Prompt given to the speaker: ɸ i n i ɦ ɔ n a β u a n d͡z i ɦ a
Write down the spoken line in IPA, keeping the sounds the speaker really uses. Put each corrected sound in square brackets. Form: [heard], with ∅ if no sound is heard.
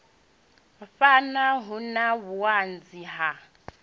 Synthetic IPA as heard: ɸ [a] n [a] ɦ [u] n a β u a n d͡z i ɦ a

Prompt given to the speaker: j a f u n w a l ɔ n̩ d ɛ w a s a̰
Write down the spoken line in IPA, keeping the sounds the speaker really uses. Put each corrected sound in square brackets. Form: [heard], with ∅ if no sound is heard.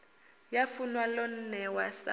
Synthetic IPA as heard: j a f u n w a l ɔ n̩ [n] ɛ w a s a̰

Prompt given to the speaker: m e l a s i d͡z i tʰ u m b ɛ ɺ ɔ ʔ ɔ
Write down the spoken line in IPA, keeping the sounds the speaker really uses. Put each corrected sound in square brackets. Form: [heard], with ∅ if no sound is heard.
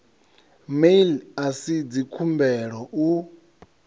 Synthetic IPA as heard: m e l a s i d͡z i [kʰ] u m b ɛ ɺ ɔ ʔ [u]

